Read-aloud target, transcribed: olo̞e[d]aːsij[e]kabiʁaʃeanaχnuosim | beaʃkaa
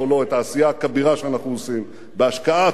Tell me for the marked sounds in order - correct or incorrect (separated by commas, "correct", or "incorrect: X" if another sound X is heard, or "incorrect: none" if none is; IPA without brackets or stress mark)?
incorrect: t, incorrect: a